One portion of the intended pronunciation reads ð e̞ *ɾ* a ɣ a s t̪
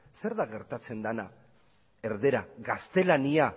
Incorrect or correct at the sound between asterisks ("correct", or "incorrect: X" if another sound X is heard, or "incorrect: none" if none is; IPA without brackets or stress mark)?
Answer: correct